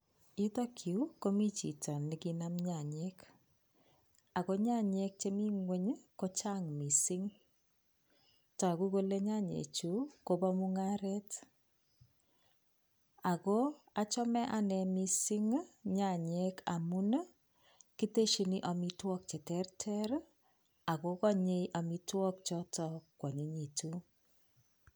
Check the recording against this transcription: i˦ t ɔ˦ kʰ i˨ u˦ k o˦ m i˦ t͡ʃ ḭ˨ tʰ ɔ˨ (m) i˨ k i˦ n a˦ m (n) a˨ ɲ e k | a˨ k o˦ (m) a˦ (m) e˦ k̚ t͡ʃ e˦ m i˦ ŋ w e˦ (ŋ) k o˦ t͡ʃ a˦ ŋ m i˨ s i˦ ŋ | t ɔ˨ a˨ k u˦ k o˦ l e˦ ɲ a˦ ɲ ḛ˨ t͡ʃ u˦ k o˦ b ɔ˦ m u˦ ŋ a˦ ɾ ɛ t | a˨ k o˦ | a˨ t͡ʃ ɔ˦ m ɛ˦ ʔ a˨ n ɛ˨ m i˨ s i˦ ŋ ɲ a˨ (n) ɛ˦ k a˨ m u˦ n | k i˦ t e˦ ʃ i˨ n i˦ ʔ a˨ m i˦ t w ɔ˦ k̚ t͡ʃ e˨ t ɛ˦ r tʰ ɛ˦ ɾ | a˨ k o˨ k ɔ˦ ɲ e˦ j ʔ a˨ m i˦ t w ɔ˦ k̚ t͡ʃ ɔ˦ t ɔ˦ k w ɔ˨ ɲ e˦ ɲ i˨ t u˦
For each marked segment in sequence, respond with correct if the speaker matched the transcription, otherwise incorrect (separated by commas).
incorrect, incorrect, incorrect, incorrect, incorrect, incorrect